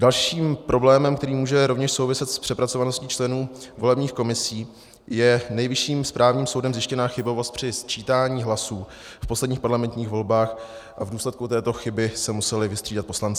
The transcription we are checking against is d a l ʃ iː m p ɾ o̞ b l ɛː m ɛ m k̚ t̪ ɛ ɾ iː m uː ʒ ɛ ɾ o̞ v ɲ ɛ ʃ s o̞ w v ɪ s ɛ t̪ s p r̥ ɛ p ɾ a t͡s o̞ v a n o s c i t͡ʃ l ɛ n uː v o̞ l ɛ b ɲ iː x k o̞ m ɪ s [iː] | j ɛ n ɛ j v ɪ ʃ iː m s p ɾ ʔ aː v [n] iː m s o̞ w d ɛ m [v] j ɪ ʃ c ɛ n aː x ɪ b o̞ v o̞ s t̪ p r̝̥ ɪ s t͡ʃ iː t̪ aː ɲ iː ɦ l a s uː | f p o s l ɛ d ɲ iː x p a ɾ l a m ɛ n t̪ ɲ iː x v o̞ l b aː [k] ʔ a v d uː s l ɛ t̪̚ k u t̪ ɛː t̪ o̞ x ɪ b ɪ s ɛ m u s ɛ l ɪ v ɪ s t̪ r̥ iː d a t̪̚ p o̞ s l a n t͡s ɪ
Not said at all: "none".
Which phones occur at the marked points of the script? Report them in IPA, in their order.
iː, ɲ, z, x

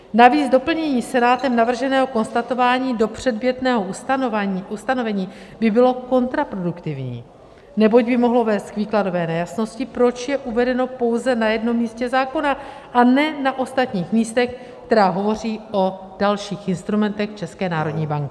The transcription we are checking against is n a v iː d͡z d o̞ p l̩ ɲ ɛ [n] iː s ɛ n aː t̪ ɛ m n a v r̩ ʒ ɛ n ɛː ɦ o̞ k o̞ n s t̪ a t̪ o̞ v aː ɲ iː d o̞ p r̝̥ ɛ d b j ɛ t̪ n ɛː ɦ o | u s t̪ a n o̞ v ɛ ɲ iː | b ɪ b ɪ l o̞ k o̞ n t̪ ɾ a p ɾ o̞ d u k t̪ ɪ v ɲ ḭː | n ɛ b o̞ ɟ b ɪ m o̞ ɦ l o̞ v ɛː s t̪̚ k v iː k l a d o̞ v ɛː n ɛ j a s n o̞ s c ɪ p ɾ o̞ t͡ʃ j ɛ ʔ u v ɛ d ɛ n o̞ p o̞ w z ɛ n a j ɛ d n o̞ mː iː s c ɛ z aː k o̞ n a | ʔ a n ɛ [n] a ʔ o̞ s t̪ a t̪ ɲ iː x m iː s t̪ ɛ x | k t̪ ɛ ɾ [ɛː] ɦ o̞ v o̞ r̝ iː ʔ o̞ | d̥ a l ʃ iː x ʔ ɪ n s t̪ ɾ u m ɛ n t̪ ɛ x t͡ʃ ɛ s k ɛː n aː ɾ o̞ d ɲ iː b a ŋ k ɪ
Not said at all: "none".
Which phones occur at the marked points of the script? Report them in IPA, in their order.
ɲ, n, aː

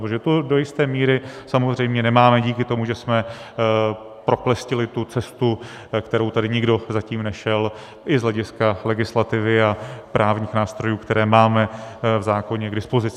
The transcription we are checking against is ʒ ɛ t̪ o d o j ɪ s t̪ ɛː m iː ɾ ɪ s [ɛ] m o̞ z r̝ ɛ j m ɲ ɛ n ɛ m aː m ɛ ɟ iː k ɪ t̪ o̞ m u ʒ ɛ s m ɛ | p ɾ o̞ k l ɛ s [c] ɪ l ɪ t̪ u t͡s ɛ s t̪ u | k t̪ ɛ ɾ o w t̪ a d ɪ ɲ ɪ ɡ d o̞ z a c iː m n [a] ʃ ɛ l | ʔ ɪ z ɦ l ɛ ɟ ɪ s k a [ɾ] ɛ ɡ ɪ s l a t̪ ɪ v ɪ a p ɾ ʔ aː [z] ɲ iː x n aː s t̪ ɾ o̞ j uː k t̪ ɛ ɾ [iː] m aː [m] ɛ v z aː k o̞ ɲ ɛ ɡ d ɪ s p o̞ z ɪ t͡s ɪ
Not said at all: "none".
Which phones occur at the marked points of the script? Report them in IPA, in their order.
a, c, ɛ, l, v, ɛː, m

